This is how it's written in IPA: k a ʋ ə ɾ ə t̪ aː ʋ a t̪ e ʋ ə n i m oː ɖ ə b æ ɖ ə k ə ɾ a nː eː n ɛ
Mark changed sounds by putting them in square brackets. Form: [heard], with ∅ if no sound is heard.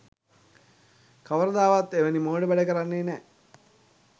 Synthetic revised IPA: k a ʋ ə ɾ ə [d̪] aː ʋ a t̪ e ʋ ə n i m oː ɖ ə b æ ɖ ə k ə ɾ a nː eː n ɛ